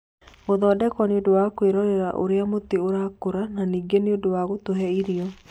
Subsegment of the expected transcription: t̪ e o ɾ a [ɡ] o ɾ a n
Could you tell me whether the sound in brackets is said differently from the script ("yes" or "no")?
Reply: yes